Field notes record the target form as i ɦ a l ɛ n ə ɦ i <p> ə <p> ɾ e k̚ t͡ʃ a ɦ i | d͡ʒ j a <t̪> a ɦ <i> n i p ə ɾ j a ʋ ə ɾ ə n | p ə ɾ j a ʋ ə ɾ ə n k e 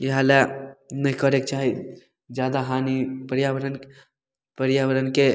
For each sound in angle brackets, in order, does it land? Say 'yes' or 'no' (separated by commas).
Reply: no, no, no, no